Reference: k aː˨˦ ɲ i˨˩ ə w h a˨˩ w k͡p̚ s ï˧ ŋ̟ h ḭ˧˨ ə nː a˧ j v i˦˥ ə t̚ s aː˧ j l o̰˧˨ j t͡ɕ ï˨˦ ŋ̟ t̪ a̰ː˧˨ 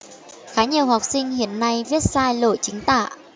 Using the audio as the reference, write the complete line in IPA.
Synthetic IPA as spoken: x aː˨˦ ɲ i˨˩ ə w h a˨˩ w k͡p̚ s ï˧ ŋ̟ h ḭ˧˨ ə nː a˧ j v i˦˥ ə t̚ s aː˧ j l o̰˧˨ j t͡ɕ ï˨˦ ŋ̟ t̪ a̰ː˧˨